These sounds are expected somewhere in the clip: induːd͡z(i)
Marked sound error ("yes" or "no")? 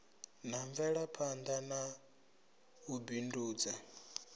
yes